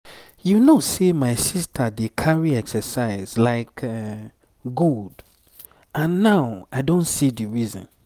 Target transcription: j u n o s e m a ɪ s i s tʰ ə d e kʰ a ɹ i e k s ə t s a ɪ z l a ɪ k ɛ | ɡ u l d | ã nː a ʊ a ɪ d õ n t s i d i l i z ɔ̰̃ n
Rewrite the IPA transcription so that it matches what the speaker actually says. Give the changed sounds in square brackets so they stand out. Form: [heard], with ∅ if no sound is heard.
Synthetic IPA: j u n o s e m a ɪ s i s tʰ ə d e kʰ a ɹ i [ɛ] k s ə [∅] s a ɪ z l a ɪ k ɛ | ɡ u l d | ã nː a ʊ a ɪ d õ n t s i d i [ɹ] i z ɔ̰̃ n